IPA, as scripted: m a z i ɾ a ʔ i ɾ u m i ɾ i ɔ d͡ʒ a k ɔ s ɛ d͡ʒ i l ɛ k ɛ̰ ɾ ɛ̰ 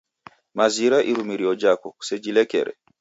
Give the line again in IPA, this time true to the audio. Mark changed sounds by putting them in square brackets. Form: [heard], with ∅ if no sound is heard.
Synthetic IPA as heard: m a z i ɾ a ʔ i ɾ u m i ɾ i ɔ d͡ʒ a k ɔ s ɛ d͡ʒ i l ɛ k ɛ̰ ɾ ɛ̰